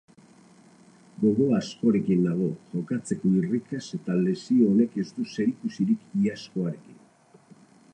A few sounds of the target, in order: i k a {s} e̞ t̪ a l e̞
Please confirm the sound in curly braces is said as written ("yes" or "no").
yes